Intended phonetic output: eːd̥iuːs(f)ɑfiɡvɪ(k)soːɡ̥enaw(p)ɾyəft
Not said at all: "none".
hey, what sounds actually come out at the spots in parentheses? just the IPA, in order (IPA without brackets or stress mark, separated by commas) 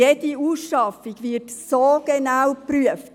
ʃ, t, p